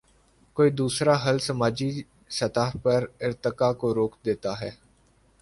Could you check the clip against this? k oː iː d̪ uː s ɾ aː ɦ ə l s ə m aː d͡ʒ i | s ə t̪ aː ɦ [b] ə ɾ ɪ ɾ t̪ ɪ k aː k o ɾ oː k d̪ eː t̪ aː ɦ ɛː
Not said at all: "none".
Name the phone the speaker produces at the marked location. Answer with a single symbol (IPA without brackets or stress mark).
p